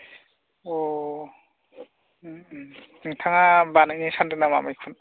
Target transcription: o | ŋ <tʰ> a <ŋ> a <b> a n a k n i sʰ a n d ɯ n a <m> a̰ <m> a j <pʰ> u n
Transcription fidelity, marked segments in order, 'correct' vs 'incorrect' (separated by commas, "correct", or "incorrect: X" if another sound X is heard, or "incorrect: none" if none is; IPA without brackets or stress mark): correct, correct, correct, correct, correct, incorrect: kʰ